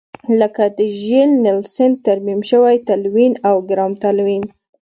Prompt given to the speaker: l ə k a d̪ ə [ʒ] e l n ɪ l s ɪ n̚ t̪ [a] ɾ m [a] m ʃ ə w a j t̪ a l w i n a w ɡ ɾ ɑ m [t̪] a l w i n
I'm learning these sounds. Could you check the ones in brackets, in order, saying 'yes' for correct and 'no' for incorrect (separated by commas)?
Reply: yes, yes, no, yes